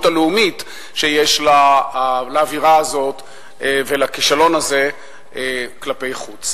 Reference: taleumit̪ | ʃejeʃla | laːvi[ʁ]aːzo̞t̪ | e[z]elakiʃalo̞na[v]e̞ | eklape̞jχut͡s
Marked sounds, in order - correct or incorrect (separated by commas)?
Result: correct, incorrect, incorrect